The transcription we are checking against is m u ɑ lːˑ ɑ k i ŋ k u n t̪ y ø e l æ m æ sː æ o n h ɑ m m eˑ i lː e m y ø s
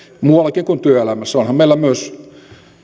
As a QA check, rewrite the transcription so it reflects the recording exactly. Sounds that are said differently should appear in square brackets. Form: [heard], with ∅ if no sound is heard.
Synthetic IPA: m u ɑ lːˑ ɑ k i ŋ k u n t̪ y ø e l æ m æ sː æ o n h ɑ m m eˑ i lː [æ] m y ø s